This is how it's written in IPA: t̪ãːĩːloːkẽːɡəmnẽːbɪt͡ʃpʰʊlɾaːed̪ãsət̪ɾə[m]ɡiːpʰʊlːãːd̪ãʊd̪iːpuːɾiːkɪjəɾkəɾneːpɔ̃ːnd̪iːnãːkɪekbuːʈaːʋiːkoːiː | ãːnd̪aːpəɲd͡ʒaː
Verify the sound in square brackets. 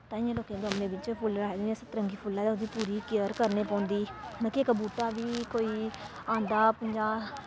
incorrect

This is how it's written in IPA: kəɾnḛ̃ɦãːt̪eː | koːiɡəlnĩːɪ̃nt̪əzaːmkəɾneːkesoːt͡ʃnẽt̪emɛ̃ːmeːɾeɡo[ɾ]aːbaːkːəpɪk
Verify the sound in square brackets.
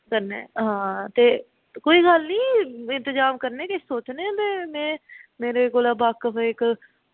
incorrect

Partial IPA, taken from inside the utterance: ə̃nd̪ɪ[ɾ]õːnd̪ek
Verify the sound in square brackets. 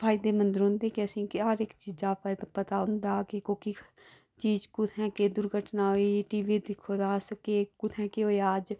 correct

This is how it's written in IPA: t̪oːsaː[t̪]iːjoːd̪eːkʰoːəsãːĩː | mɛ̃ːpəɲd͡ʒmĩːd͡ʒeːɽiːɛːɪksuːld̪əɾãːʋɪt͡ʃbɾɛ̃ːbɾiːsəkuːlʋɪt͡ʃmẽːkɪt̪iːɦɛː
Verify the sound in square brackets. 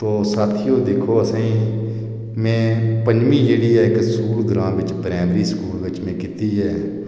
incorrect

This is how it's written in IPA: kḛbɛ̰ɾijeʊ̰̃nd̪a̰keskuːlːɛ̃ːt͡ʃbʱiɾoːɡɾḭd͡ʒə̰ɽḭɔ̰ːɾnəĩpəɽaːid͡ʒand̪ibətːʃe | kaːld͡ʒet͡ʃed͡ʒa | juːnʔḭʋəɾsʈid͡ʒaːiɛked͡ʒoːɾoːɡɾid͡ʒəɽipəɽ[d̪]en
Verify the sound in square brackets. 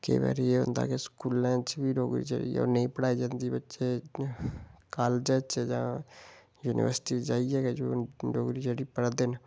correct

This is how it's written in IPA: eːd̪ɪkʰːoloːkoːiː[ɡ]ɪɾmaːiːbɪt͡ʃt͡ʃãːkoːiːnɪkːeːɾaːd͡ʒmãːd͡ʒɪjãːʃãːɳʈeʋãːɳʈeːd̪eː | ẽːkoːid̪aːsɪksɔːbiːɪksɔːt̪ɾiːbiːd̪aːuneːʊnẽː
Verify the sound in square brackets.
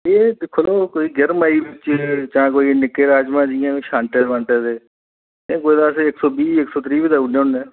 correct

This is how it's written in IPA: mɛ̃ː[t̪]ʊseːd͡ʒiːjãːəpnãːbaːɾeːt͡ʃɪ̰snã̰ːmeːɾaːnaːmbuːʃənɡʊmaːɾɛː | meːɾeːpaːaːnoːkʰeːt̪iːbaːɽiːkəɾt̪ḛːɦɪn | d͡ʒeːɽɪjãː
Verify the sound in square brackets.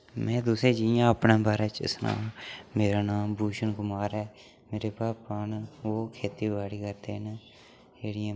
incorrect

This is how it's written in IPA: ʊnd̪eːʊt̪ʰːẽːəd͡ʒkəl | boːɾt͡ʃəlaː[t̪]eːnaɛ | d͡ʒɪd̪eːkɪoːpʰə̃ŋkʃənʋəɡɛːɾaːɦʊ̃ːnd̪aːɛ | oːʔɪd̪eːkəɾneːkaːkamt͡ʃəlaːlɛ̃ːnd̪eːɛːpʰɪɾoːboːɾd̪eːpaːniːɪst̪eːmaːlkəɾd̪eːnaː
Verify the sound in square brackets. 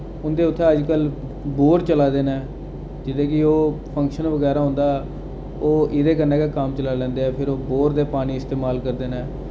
incorrect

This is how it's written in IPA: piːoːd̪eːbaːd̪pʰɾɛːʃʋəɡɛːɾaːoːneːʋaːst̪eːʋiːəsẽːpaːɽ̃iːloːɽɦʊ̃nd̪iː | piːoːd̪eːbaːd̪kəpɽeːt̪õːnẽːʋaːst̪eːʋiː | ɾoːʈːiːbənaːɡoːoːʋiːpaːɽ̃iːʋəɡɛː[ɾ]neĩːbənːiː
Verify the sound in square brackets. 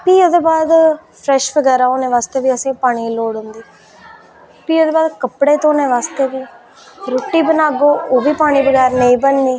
correct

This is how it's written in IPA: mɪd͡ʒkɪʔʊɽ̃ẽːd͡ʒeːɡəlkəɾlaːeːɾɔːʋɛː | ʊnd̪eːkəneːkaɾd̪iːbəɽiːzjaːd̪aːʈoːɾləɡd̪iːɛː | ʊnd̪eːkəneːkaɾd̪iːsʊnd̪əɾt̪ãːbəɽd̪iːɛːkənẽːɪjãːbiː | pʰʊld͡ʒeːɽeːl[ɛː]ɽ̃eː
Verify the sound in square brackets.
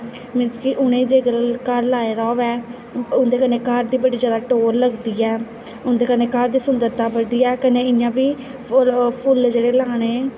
incorrect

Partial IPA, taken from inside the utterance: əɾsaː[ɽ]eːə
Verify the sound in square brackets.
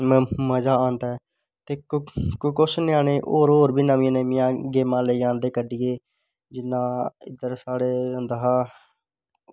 correct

